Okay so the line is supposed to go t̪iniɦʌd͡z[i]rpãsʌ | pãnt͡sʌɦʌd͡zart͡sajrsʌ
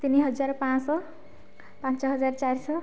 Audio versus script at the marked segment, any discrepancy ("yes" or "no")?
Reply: yes